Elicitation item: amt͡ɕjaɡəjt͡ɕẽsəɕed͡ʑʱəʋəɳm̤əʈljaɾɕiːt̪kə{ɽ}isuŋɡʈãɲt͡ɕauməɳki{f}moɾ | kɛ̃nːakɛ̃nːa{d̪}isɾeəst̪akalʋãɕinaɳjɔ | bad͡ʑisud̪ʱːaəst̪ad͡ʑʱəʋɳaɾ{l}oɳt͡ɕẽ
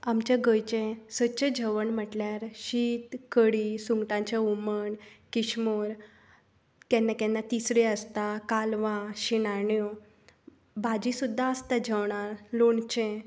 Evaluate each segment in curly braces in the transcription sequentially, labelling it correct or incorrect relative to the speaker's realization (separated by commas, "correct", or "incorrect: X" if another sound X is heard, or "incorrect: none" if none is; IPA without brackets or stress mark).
correct, incorrect: ɕ, incorrect: t̪, correct